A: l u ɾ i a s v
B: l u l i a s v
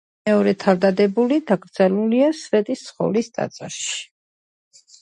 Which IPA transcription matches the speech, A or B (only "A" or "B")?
B